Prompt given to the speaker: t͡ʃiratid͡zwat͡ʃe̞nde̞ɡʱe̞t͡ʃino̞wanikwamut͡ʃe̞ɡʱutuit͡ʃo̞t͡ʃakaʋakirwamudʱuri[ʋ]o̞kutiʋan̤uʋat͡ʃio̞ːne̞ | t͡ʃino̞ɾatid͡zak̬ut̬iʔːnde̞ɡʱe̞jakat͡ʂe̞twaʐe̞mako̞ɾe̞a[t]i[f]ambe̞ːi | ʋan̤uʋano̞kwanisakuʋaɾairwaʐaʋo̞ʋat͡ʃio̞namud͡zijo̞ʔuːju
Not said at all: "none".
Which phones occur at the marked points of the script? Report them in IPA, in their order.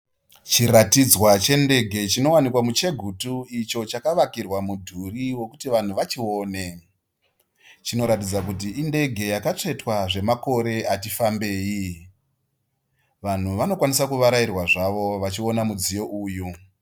w, t, f

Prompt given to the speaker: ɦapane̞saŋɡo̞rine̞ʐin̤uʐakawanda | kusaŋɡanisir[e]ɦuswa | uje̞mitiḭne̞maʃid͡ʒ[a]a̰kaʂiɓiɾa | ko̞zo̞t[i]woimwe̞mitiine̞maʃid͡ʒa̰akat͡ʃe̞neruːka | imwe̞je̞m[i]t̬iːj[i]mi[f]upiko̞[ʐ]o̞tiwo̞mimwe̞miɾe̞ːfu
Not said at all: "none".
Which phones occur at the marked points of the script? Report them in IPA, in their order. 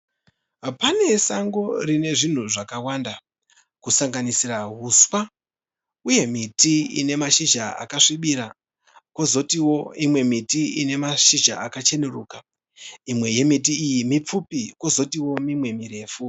a, a, i, i, i, p͡f, z

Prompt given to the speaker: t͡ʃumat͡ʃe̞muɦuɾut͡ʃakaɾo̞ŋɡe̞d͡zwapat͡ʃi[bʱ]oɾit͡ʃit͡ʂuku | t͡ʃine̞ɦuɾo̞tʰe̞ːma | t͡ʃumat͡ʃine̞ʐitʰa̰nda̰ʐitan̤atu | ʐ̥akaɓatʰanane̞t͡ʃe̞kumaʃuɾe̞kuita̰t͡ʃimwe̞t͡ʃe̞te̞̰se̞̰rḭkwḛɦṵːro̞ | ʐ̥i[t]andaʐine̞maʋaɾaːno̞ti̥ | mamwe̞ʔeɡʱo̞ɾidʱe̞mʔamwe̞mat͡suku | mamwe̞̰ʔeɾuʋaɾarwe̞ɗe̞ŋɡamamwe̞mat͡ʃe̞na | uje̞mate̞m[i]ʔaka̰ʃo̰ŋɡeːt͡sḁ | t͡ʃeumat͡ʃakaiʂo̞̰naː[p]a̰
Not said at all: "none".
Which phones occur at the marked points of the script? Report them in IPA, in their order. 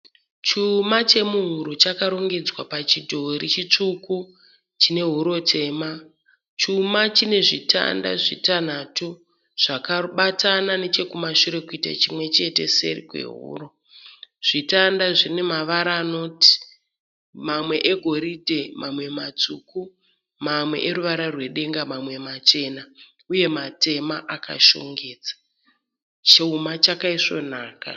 dʱ, t, a, k

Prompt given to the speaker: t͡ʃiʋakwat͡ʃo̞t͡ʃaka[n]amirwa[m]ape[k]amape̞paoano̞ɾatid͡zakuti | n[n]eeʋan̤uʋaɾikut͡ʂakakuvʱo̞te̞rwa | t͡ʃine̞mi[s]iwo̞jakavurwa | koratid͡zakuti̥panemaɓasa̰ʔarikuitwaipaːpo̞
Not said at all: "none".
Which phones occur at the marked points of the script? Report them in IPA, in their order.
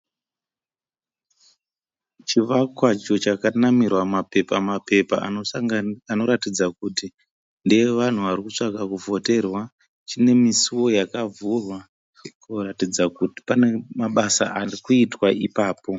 n, m, p, d, s

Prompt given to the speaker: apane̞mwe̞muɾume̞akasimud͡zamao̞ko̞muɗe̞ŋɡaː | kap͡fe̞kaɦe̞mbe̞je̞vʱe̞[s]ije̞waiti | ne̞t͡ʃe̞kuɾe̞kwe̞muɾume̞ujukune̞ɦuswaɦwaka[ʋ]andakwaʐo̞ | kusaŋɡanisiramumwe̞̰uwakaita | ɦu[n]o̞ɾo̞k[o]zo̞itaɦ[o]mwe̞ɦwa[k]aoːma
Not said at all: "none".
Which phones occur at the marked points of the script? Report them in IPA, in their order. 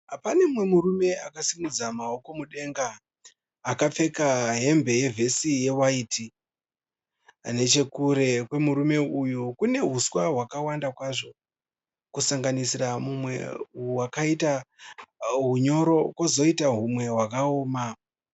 s, w, ɲ, o, u, k

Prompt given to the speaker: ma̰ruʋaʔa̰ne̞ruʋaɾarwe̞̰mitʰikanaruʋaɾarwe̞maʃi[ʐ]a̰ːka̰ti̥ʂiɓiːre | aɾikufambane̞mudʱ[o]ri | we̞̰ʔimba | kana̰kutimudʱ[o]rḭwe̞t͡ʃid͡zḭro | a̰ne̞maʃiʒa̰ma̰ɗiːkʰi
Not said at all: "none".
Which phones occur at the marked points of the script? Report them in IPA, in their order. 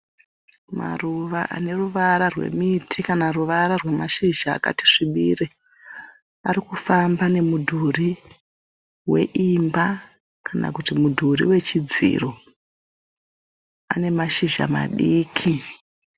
ʒ, u, u

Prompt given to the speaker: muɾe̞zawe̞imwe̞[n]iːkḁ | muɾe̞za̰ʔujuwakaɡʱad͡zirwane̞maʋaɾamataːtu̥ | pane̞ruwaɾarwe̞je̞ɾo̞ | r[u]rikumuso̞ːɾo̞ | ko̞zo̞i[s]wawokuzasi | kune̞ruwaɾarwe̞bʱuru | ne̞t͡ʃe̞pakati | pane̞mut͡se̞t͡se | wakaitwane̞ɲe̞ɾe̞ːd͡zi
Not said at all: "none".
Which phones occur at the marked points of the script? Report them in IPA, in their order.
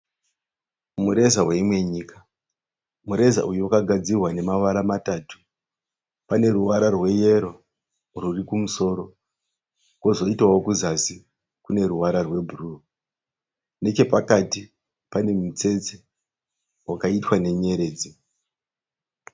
ɲ, u, t

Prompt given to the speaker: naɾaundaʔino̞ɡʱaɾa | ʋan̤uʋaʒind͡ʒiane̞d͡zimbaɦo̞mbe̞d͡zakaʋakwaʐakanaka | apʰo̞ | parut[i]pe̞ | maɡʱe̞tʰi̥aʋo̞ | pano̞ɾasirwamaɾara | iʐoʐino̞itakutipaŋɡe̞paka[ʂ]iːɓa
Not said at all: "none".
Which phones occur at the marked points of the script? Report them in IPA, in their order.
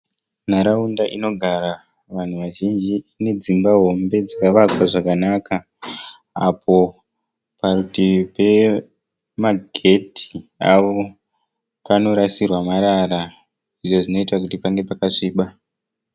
i, ʂ

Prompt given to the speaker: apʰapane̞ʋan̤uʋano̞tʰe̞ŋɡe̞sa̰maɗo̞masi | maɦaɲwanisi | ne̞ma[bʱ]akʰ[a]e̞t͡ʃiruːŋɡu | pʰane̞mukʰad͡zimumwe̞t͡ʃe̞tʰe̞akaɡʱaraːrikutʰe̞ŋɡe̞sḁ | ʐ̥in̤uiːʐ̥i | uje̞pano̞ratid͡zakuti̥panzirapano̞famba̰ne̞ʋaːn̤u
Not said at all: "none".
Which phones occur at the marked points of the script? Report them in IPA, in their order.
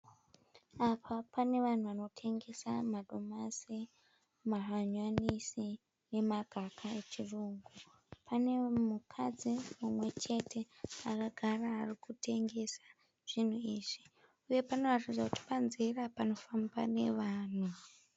ɡʱ, a

